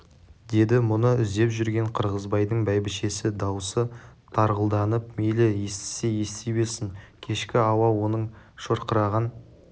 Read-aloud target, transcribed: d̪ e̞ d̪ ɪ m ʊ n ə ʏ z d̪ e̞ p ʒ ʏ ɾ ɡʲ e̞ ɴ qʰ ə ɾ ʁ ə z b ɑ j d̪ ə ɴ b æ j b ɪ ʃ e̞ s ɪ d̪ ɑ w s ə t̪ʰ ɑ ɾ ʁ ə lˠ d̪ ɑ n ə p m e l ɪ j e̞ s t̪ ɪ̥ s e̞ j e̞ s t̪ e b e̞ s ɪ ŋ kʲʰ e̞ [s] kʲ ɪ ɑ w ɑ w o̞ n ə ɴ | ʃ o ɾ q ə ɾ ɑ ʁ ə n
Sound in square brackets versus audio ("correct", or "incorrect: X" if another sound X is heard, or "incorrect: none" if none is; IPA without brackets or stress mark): incorrect: ʃ